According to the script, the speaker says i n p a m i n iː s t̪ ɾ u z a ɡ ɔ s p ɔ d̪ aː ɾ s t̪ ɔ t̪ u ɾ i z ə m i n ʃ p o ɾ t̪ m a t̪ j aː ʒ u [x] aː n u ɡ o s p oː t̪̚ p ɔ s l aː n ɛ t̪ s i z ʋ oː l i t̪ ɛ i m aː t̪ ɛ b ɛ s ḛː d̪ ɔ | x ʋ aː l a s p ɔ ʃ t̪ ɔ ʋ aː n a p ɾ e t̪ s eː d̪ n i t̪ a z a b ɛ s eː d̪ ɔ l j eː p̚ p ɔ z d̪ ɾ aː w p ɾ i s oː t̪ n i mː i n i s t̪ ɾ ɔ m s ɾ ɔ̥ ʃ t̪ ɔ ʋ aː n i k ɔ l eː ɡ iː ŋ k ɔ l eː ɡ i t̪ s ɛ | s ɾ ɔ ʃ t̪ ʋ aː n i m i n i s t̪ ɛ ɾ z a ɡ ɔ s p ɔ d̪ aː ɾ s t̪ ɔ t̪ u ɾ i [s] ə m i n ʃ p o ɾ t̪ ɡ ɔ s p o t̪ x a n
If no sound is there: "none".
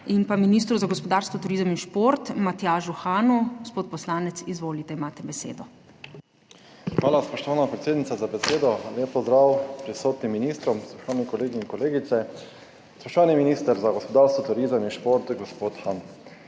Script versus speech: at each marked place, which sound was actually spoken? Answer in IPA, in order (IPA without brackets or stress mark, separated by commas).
x, z